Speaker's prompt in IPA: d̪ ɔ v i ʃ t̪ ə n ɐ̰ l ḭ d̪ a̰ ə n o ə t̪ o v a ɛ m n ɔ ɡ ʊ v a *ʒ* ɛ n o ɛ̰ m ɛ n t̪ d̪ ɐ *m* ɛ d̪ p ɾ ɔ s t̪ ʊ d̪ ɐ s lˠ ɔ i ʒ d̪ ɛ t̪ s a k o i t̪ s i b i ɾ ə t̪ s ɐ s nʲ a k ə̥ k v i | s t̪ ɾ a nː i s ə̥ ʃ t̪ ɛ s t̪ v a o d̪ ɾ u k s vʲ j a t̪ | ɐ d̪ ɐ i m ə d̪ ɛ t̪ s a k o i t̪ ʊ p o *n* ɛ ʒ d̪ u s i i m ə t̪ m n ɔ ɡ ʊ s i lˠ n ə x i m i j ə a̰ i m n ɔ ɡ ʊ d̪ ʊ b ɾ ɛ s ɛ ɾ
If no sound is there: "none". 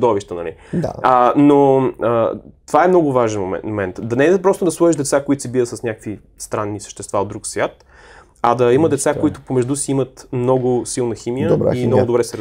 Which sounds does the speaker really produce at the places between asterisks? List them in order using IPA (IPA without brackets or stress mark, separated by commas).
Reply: ʒ, n, m